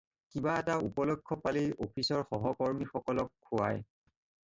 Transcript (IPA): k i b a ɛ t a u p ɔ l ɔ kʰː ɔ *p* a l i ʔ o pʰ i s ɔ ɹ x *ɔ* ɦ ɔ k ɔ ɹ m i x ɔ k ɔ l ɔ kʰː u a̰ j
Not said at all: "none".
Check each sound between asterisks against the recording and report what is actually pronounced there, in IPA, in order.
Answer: p, ɔ

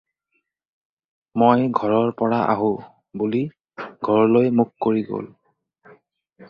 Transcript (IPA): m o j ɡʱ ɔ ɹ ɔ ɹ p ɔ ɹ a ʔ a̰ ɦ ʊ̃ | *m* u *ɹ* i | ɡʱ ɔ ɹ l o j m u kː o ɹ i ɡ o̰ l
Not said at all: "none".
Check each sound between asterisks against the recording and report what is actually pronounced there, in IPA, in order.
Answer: b, l

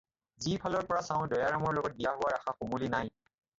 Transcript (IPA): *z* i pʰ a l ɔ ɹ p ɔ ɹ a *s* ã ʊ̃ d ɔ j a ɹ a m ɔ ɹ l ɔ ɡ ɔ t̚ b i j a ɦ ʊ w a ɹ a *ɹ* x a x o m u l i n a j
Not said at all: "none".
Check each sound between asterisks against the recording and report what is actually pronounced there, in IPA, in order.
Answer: z, s, none

